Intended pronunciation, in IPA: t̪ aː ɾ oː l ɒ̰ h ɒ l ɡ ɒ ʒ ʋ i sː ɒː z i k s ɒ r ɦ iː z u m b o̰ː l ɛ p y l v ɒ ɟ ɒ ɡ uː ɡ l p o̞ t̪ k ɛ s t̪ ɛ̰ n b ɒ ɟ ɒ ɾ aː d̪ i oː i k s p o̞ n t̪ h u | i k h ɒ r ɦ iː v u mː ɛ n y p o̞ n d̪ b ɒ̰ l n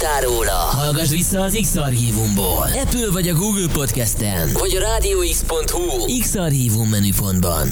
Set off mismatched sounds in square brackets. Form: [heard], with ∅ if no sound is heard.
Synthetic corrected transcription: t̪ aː ɾ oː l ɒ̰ h ɒ l ɡ ɒ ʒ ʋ i sː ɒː z i k s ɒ r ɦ iː [v] u m b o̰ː l ɛ p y l v ɒ ɟ ɒ ɡ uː ɡ l p o̞ t̪ k ɛ s t̪ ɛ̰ n [v] ɒ ɟ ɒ ɾ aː d̪ i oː i k s p o̞ n t̪ h u | i k [s] ɒ r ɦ iː v u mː ɛ n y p o̞ n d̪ b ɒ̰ [∅] n